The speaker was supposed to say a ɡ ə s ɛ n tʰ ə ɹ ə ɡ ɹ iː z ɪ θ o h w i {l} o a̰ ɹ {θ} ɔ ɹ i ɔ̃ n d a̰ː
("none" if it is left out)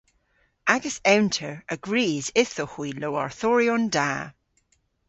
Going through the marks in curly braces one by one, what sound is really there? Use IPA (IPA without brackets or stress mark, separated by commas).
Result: l, θ